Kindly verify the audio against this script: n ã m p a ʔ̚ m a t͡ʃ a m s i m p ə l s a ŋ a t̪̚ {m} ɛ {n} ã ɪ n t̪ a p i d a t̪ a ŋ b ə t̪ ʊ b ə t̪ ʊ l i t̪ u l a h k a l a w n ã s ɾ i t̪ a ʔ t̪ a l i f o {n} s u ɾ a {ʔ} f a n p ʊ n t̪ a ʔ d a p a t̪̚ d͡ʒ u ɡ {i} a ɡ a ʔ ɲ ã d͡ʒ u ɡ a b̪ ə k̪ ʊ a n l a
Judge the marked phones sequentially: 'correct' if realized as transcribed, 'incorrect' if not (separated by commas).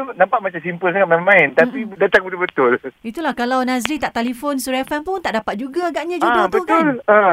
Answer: correct, incorrect, correct, incorrect, incorrect